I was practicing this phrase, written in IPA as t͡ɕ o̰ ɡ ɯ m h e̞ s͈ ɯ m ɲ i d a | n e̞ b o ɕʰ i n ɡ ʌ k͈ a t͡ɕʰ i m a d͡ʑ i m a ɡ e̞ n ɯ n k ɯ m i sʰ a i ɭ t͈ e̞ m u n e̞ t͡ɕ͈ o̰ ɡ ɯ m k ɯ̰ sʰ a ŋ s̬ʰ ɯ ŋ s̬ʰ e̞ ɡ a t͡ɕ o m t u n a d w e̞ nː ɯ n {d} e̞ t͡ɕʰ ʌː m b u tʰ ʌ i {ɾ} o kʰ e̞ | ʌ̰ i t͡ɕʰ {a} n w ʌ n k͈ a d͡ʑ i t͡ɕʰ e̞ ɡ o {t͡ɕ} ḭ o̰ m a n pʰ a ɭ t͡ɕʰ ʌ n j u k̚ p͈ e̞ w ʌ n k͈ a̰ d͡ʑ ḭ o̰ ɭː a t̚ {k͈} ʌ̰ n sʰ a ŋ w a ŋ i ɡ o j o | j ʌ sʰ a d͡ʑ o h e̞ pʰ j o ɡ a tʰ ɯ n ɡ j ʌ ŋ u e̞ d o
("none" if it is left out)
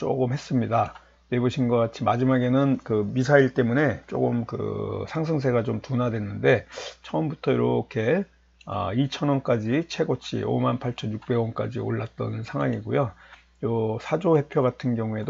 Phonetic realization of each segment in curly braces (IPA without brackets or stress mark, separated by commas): d, ɾ, ʌ, t͡ɕʰ, t͈